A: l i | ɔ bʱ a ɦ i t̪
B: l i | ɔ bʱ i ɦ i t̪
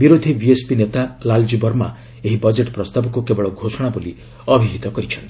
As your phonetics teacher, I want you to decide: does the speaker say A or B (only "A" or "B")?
B